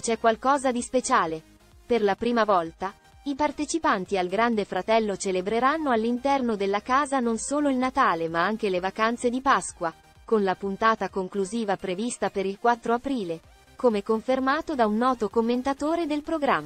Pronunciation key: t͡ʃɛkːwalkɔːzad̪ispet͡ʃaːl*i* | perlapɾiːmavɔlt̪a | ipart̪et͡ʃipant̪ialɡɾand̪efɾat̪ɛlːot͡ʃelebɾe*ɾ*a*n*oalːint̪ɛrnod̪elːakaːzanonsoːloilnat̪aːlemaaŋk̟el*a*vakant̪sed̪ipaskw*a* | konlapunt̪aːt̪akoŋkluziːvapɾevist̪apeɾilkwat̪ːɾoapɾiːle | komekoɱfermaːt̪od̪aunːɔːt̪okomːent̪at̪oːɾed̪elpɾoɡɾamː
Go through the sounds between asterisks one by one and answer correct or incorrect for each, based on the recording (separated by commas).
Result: incorrect, correct, incorrect, incorrect, correct